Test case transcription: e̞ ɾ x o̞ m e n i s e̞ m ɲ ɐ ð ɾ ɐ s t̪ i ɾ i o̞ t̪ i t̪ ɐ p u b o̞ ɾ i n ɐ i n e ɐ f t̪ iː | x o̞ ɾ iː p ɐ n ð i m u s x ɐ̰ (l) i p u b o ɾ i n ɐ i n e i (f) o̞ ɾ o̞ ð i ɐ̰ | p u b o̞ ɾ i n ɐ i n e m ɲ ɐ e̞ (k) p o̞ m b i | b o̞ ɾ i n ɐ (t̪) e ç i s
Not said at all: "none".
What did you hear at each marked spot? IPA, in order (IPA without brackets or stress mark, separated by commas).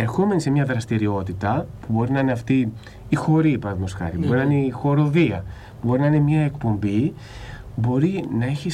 ɾ, x, k, none